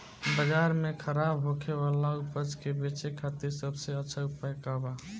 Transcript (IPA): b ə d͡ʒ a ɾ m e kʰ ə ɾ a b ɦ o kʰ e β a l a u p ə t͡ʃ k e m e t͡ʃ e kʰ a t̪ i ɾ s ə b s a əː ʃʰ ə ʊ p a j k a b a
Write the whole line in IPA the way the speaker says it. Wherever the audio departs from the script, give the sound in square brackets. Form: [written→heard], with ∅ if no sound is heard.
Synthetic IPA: b ə d͡ʒ a ɾ m e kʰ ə ɾ a b ɦ o kʰ e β a l a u p ə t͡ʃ k e [m→b] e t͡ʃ e kʰ a t̪ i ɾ s ə b s [a→e] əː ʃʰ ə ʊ p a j k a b a